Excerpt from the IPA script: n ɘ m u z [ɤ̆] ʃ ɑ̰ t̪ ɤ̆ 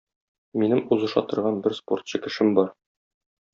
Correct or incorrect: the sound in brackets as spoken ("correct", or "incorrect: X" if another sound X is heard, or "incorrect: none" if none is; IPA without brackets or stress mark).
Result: correct